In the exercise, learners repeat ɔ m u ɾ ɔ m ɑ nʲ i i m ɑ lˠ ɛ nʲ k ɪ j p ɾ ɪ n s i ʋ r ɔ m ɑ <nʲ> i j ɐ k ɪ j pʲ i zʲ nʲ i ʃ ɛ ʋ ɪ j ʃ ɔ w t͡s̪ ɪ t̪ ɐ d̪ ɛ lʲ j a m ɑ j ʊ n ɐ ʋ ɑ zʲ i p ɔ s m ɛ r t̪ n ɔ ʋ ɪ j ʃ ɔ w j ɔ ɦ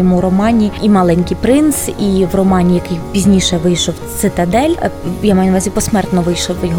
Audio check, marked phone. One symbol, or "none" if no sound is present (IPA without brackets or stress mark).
nʲ